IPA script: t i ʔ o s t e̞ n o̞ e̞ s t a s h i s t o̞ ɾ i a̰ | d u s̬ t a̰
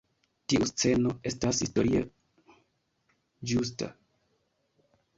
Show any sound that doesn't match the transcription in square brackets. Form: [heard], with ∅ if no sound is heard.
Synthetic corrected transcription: t i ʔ [u] s [t͡s] e̞ n o̞ e̞ s t a s h i s t o̞ ɾ i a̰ | [d͡ʒ] u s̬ t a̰